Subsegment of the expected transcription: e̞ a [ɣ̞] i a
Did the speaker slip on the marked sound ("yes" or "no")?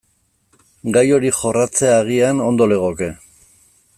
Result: no